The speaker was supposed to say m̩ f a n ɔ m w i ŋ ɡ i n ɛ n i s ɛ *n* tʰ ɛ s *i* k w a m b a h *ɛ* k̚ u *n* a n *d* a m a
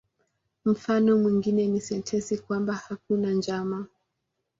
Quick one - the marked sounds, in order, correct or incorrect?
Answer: correct, correct, incorrect: a, correct, incorrect: d͡ʒ

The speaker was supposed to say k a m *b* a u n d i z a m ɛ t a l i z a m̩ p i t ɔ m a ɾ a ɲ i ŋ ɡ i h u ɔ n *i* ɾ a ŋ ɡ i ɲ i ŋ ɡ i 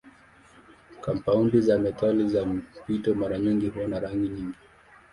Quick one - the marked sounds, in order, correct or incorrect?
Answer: incorrect: p, incorrect: a

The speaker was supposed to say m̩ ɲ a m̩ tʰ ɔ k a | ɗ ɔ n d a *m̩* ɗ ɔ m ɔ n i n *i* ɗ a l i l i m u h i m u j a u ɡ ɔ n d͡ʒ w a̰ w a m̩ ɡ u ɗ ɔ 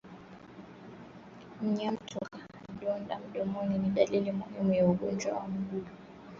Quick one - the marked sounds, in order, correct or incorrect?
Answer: correct, correct

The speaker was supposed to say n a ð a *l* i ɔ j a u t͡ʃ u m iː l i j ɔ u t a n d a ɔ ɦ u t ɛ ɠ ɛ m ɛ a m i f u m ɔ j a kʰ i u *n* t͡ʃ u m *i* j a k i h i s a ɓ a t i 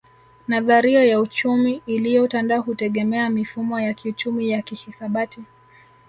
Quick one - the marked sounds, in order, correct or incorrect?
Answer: incorrect: ɾ, incorrect: none, correct

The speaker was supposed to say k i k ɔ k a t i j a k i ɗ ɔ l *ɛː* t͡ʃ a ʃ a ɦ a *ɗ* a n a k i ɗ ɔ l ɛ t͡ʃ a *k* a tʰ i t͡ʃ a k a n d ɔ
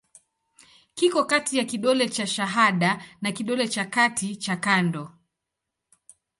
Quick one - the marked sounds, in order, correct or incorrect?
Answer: incorrect: ɛ, correct, correct

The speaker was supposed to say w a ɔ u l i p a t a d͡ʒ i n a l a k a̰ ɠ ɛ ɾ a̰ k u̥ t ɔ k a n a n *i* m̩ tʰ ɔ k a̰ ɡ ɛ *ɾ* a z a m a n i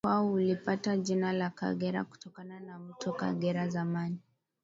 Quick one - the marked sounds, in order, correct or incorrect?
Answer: incorrect: a, correct

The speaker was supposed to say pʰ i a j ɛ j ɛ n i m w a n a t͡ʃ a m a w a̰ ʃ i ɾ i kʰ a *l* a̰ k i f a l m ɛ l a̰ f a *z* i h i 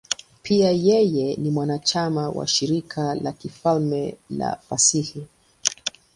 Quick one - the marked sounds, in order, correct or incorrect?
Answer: correct, incorrect: s

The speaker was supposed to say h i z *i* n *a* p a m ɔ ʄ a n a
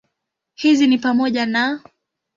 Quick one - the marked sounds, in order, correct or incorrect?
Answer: correct, incorrect: i

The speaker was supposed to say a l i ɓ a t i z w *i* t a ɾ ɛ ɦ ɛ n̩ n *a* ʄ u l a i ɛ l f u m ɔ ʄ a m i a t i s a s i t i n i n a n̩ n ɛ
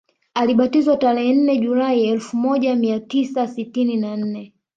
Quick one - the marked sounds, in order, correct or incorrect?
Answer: incorrect: a, incorrect: ɛ

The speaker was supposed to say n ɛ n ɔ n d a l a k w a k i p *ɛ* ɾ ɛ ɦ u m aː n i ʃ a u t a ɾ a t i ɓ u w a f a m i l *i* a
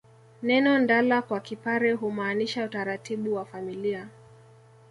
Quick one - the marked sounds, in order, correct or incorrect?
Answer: incorrect: a, correct

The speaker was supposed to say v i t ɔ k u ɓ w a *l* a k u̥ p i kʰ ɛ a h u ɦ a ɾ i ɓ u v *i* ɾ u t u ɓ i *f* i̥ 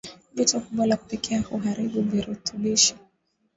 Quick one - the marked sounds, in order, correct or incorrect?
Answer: correct, correct, incorrect: ʃ

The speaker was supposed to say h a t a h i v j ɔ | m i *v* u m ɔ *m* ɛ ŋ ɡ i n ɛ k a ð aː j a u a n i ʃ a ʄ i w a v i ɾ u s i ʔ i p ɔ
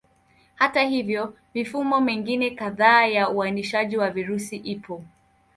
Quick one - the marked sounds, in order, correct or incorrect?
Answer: incorrect: f, correct

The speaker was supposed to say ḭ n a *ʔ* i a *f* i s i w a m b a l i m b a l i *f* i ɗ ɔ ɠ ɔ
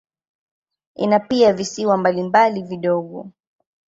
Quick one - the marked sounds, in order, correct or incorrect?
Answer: incorrect: p, incorrect: v, incorrect: v

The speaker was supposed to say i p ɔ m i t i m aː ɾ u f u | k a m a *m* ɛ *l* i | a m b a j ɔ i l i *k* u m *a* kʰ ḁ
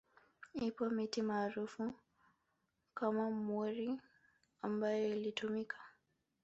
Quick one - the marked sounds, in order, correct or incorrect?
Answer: correct, incorrect: ɾ, incorrect: t, incorrect: i

